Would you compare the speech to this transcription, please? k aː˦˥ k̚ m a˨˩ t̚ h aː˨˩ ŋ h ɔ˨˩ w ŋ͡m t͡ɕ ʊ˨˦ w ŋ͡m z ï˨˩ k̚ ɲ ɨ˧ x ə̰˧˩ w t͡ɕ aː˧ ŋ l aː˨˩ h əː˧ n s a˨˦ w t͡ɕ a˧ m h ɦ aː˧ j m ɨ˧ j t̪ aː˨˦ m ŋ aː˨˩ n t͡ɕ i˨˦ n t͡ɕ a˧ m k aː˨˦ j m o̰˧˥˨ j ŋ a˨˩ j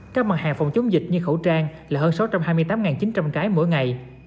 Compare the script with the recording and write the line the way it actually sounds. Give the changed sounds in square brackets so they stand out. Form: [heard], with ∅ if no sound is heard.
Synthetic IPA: k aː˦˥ k̚ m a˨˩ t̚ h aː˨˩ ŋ [f] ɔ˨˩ w ŋ͡m t͡ɕ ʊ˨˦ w ŋ͡m z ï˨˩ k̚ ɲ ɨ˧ x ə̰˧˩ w t͡ɕ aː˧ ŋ l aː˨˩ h əː˧ n s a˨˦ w t͡ɕ a˧ m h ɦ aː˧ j m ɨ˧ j t̪ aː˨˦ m ŋ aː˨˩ n t͡ɕ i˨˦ n t͡ɕ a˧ m k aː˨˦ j m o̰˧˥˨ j ŋ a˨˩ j